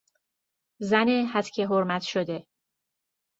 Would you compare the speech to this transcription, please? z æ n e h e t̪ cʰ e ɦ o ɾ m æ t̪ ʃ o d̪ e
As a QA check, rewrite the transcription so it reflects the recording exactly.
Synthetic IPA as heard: z æ n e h æ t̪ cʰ e ɦ o ɾ m æ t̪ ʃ o d̪ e

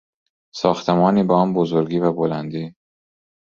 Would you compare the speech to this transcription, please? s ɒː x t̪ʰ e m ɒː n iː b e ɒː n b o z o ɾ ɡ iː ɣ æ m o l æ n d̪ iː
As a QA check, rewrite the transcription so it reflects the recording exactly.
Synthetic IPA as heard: s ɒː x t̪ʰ e m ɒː n iː b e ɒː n b o z o ɾ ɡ iː v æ b o l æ n d̪ iː

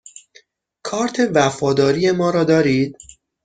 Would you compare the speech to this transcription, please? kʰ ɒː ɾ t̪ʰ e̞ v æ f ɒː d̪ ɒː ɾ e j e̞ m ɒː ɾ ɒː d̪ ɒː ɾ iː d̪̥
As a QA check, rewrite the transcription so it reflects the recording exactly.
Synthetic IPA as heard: kʰ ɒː ɾ t̪ʰ e̞ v æ f ɒː d̪ ɒː ɾ i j e̞ m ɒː ɾ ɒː d̪ ɒː ɾ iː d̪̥

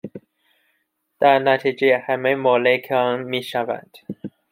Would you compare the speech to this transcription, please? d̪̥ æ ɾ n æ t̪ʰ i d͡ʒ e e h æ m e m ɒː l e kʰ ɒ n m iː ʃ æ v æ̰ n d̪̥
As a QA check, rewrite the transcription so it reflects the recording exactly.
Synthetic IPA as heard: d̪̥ æ ɾ n æ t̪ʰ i d͡ʒ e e h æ m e m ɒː l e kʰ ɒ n m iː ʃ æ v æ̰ n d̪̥

